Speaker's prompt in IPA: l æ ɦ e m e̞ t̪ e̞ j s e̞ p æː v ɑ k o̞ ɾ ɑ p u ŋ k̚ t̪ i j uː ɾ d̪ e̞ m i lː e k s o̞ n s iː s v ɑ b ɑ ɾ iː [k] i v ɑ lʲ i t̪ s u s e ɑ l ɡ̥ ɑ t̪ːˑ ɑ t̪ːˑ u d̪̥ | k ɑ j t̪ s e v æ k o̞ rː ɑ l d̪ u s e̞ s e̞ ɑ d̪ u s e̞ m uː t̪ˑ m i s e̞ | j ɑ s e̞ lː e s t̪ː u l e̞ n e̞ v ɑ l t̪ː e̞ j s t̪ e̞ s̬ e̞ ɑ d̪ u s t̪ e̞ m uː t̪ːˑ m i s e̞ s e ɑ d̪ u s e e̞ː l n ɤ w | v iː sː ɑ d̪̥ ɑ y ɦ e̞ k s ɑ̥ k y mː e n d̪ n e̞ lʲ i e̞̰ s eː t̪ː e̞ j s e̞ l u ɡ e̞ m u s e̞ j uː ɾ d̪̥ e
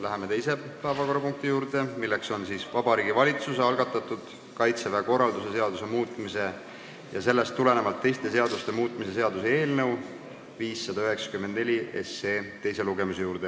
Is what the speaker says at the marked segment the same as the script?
no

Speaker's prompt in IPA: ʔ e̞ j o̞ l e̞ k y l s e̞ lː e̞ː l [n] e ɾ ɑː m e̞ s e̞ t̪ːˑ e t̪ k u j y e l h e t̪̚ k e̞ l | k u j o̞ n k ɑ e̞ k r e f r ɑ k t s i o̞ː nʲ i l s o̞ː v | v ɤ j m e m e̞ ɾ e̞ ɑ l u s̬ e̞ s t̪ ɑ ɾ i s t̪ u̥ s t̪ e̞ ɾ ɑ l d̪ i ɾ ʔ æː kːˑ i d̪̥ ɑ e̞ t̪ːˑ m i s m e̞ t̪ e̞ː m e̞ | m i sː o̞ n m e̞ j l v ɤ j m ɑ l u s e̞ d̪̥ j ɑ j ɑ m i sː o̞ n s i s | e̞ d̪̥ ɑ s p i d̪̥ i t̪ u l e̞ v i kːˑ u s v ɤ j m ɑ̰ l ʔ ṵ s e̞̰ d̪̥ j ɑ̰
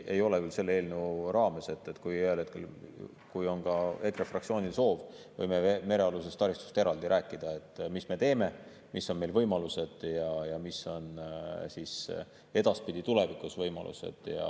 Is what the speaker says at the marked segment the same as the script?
yes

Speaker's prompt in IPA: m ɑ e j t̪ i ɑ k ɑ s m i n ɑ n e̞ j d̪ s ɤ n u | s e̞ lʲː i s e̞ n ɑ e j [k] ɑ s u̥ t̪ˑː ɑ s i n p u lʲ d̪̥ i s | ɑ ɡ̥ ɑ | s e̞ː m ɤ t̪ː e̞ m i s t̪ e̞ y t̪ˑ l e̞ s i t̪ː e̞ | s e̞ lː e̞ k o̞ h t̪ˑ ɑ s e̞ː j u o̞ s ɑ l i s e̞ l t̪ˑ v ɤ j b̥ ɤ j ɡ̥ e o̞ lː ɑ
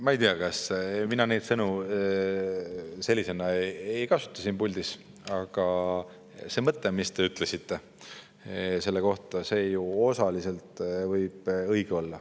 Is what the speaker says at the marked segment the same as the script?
yes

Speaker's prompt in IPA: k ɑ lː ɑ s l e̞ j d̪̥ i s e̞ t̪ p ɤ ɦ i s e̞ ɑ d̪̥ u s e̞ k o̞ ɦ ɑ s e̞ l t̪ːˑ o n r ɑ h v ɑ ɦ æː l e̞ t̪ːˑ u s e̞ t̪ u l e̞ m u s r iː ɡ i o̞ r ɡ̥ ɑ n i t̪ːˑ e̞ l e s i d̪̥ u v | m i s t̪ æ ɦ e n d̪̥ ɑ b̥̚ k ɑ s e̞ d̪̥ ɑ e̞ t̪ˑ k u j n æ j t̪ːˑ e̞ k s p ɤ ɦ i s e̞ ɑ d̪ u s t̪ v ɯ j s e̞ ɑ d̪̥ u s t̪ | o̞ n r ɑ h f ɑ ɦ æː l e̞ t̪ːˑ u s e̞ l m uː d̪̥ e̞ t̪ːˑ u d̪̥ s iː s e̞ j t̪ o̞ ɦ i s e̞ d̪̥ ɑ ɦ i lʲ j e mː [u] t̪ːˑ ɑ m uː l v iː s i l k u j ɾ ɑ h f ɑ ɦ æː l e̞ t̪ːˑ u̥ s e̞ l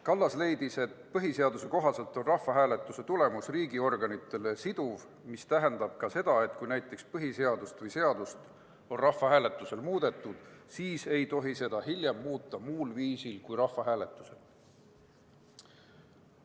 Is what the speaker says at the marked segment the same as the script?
no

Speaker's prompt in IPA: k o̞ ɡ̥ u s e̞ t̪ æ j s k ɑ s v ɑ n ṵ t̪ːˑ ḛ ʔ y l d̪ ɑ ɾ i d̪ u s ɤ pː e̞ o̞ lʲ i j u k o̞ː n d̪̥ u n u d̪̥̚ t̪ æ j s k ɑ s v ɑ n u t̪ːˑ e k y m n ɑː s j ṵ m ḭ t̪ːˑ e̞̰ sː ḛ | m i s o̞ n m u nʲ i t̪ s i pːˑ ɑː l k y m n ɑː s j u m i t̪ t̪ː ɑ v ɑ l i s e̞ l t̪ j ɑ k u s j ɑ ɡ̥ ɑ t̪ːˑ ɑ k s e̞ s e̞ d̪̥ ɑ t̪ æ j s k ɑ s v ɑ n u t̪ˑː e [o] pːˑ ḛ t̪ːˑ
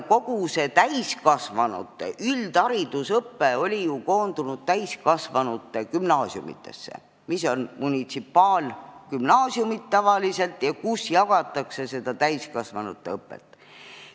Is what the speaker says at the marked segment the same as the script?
no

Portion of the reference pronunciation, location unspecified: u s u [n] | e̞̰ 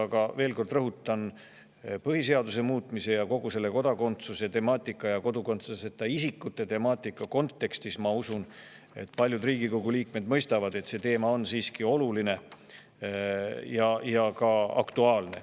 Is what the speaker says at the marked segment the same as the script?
yes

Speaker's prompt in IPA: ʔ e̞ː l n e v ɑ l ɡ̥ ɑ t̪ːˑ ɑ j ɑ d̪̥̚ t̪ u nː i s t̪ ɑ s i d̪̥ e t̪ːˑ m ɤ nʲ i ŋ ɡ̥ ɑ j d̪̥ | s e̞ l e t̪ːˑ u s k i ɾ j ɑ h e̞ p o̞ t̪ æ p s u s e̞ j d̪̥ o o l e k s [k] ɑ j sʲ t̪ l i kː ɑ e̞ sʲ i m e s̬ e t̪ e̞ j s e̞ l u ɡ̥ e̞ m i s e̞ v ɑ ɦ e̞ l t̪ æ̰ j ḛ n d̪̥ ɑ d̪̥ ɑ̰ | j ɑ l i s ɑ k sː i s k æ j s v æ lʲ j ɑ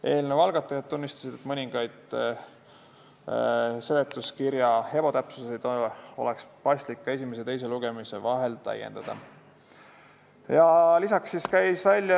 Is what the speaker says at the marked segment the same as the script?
no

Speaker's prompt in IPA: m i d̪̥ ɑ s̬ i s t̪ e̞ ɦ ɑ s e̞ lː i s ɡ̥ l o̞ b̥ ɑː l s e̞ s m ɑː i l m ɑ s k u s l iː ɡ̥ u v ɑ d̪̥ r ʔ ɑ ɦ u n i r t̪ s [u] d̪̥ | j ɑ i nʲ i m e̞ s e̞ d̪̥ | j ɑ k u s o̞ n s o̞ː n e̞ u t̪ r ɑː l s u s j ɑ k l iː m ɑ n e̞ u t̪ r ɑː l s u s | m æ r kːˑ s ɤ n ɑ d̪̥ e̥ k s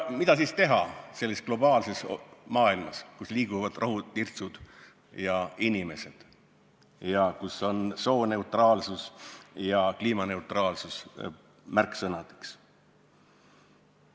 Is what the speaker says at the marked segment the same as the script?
yes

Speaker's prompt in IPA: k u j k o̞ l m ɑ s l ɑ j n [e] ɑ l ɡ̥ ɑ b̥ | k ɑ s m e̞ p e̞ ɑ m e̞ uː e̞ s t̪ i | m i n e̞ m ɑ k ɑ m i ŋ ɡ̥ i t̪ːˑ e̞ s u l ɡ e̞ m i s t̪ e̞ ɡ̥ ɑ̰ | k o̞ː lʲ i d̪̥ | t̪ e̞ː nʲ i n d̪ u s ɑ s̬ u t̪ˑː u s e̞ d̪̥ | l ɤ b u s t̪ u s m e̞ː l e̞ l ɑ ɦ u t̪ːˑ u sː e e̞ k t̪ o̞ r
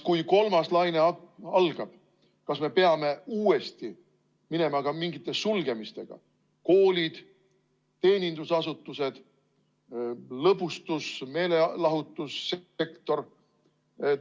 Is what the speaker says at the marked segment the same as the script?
yes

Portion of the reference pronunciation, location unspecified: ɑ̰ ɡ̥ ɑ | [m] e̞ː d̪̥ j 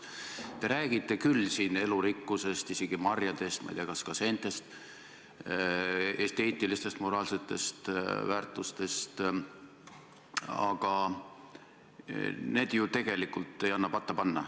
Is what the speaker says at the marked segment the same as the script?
no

